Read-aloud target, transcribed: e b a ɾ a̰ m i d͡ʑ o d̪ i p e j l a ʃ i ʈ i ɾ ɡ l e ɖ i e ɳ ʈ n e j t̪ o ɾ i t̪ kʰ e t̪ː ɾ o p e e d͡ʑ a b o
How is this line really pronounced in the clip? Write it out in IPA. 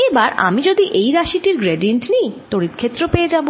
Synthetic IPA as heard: e b a ɾ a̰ m i d͡ʑ o d̪ i ʔ e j ɾ a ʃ i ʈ i ɾ ɡ ɾ e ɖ i e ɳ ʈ n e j t̪ o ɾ i t̪ kʰ e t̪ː ɾ o p e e d͡ʑ a b o